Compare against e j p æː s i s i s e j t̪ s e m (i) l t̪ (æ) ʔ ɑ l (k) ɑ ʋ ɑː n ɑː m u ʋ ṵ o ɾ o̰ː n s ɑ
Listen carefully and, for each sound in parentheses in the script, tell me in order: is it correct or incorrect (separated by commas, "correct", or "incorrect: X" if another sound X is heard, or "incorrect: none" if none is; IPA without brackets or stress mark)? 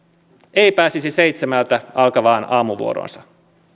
incorrect: æ, correct, correct